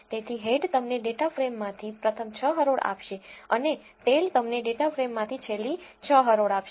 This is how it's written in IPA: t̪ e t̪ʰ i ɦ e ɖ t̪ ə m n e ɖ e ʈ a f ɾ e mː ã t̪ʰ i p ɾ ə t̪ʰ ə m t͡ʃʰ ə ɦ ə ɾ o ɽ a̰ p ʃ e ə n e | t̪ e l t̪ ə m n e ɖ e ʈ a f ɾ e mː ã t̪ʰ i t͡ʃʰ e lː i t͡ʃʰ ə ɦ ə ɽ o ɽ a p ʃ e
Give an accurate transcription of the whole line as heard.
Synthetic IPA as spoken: t̪ e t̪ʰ i ɦ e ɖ t̪ ə m n e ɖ e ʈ a f ɾ e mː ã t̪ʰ i p ɾ ə t̪ʰ ə m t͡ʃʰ ə ɦ ə ɾ o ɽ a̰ p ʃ e ə n e | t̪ e l t̪ ə m n e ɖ e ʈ a f ɾ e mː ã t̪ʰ i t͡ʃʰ e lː i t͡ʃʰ ə ɦ ə ɾ o ɽ a p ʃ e

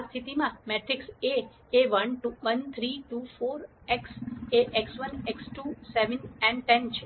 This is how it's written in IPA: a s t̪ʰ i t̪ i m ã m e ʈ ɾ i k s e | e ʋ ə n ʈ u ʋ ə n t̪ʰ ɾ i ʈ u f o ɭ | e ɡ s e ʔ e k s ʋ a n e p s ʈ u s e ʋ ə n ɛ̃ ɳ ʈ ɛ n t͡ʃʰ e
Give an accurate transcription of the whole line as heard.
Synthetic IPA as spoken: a s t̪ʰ i t̪ i m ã m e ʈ ɾ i k s e | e ʋ ə n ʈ u ʋ ə n t̪ʰ ɾ i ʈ u f o ɾ | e k s e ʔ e k s ʋ ə n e k s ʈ u s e ʋ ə n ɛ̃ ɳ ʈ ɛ n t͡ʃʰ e

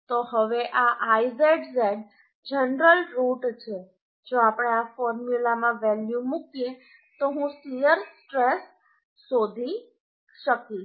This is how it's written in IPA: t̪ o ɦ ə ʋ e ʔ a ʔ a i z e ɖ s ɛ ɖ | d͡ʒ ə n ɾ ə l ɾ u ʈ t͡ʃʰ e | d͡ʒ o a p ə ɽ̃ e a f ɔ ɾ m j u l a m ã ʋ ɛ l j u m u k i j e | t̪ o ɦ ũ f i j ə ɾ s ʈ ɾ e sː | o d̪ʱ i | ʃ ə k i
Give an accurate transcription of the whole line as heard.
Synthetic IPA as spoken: t̪ o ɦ ə ʋ e ʔ a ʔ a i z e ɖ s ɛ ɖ | d͡ʒ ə n ɾ ə l ɾ u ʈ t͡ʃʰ e | d͡ʒ o a p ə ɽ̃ e a f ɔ ɾ m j u l a m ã ʋ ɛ l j u m u k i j e | t̪ o ɦ ũ s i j ə ɾ s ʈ ɾ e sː | o d̪ʱ i | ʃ ə k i

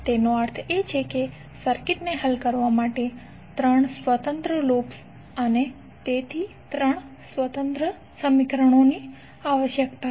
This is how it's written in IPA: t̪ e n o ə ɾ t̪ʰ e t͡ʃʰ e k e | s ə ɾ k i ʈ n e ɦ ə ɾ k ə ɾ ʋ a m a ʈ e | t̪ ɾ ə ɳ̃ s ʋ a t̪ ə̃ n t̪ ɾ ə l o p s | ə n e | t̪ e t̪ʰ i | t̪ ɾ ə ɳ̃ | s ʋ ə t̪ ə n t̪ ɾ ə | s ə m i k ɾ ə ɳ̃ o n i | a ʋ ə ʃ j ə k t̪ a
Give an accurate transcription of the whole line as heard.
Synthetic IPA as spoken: t̪ e n o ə ɾ t̪ʰ e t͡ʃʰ e k e | s ə ɾ k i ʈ n e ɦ ə l k ə ɾ ʋ a m a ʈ e | t̪ ɾ ə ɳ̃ s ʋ ə t̪ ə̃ n t̪ ɾ ə l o p s | ə n e | t̪ e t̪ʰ i | t̪ ɾ ə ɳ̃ | s ʋ ə t̪ ə n t̪ ɾ ə | s ə m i k ɾ ə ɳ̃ o n i | a ʋ ə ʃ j ə k t̪ a

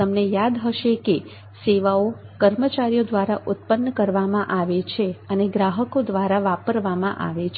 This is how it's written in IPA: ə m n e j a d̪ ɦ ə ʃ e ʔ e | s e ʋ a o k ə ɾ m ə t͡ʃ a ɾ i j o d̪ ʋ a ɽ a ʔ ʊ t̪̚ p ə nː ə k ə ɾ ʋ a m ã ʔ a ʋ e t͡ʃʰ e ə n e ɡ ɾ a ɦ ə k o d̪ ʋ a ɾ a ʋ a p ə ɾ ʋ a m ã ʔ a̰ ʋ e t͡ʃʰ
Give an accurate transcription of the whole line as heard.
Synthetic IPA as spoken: ə m n e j a d̪ ɦ ə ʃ e k e | s e ʋ a o k ə ɾ m ə t͡ʃ a ɾ i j o d̪ ʋ a ɾ a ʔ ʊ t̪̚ p ə nː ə k ə ɾ ʋ a m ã ʔ a ʋ e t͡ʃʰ e ə n e ɡ ɾ a ɦ ə k o d̪ ʋ a ɾ a ʋ a p ə ɾ ʋ a m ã ʔ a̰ ʋ e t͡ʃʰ

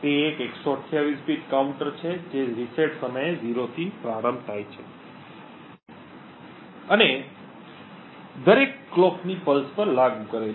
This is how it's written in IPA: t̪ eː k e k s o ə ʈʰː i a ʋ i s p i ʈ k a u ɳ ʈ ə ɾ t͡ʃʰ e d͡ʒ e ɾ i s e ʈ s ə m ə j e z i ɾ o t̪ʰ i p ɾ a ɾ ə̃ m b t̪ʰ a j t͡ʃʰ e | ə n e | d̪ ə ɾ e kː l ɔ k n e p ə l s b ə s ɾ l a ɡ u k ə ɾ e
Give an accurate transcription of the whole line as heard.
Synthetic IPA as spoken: t̪ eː k e k s o ə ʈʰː j a ʋ i s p i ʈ k a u ɳ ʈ ə ɾ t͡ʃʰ e d͡ʒ e ɾ i s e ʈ s ə m ə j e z i ɾ o t̪ʰ i p ɾ a ɾ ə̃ m b t̪ʰ a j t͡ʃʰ e | ə n e | d̪ ə ɾ e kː l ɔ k n i p ə l s p ə ɾ l a ɡ u k ə ɾ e

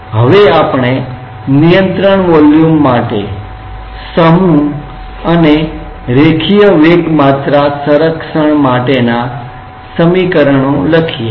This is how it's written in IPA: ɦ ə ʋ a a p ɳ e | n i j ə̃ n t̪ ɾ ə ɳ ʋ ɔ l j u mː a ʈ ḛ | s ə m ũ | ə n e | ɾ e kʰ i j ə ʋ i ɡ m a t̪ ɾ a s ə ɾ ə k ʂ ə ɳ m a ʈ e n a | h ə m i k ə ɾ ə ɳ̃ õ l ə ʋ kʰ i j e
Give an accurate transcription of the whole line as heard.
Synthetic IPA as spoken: ɦ ə ʋ e a p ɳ e | n i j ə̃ n t̪ ɾ ə ɳ ʋ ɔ l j u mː a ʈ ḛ | s ə m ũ | ə n e | ɾ e kʰ i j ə ʋ e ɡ m a t̪ ɾ a s ə ɾ ə k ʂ ə ɳ m a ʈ e n a | s ə m i k ə ɾ ə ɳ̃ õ l ə kʰ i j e

